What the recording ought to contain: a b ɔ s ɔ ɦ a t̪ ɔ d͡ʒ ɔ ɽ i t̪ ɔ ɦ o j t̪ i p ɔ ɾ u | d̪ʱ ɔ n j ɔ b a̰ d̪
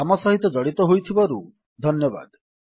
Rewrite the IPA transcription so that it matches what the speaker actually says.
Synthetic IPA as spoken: a m ɔ s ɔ ɦ i t̪ ɔ d͡ʒ ɔ ɽ i t̪ ɔ ɦ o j t̪ʰ i b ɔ ɾ u | d̪ʱ ɔ n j ɔ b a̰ d̪